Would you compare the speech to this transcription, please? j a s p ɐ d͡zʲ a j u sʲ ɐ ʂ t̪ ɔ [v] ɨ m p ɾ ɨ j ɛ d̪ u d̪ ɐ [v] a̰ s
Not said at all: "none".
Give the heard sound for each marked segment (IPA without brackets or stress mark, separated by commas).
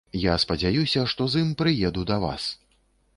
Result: z, v